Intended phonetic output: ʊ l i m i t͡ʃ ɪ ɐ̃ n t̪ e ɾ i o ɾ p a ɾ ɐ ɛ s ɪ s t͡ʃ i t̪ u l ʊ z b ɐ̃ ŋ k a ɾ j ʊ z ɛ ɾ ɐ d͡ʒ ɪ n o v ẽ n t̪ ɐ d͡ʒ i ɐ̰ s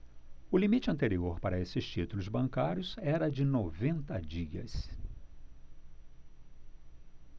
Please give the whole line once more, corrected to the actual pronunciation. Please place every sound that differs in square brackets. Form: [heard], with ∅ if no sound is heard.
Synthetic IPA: ʊ l i m i t͡ʃ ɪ ɐ̃ n t̪ e ɾ i o ɾ p a ɾ ɐ [e] s ɪ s t͡ʃ i t̪ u l ʊ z b ɐ̃ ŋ k a ɾ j ʊ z ɛ ɾ ɐ d͡ʒ ɪ n o v ẽ n t̪ ɐ d͡ʒ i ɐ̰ s